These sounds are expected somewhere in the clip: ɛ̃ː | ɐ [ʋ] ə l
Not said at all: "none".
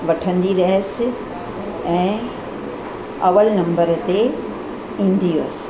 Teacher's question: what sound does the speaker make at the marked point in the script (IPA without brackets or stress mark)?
ʋ